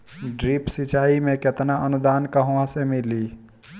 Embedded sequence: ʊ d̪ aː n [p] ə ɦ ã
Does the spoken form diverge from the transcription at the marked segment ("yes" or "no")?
yes